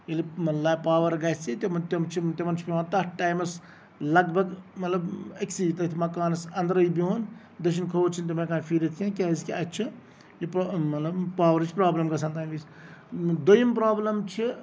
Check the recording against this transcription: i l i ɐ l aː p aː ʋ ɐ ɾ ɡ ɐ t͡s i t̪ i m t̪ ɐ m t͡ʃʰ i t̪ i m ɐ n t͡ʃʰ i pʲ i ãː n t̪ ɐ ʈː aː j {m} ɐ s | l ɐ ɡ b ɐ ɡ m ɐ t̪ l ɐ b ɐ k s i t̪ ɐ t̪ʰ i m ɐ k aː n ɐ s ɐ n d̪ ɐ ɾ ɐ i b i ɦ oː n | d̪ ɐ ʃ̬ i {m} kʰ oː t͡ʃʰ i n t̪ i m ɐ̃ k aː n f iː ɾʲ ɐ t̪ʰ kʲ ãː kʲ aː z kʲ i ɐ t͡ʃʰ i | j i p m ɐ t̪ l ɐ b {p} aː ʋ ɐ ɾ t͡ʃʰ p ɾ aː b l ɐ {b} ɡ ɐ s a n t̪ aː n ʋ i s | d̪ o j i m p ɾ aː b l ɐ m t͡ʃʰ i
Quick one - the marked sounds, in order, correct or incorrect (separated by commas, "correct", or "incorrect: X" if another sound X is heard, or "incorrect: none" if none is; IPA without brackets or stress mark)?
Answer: correct, incorrect: n, correct, incorrect: m